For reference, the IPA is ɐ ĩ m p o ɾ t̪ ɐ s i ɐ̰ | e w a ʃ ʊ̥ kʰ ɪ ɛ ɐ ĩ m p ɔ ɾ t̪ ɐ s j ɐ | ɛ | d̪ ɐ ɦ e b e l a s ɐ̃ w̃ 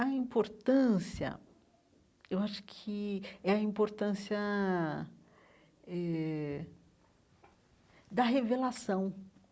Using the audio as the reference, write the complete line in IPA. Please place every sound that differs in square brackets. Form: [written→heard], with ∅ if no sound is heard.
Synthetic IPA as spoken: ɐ ĩ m p o ɾ t̪ [ɐ→ɐ̃] s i ɐ̰ | e w a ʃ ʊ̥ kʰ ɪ ɛ ɐ ĩ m p [ɔ→o] ɾ t̪ [ɐ→ɐ̃] s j ɐ | ɛ | d̪ ɐ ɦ e [b→v] e l a s ɐ̃ w̃